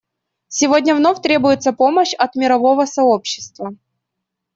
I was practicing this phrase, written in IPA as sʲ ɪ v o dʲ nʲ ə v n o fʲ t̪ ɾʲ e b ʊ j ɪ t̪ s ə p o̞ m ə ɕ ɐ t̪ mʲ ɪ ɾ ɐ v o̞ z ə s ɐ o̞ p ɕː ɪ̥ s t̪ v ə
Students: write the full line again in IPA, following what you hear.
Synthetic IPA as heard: sʲ ɪ v o dʲ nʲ ə v n o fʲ t̪ ɾʲ e b ʊ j ɪ t̪ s ə p o̞ m ə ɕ ɐ t̪ mʲ ɪ ɾ ɐ v o̞ v ə s ɐ o̞ p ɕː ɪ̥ s t̪ v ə